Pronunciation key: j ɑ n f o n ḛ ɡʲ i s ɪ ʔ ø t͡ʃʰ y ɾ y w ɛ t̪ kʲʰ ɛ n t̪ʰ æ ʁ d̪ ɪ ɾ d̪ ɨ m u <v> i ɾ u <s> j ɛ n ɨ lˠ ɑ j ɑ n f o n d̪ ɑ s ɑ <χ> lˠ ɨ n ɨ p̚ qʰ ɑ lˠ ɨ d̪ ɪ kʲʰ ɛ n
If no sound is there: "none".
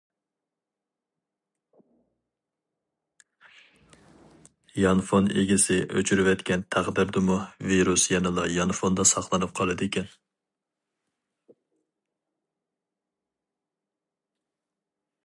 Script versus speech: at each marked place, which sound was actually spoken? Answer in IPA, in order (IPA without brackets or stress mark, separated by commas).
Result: v, s, χ